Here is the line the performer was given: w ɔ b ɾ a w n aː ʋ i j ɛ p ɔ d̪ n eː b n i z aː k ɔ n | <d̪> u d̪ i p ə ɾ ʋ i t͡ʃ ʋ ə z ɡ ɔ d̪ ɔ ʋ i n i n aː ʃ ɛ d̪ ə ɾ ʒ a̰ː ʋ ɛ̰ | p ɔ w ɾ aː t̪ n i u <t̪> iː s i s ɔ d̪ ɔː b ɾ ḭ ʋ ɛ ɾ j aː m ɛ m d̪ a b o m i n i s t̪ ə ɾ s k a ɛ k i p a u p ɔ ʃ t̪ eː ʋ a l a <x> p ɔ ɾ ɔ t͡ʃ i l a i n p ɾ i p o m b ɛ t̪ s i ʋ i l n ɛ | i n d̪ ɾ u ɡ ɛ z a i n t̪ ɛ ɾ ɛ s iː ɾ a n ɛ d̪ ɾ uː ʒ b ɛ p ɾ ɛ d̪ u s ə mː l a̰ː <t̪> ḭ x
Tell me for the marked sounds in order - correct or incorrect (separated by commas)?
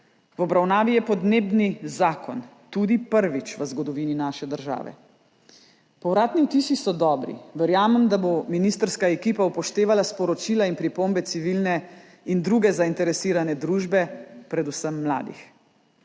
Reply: incorrect, correct, incorrect, incorrect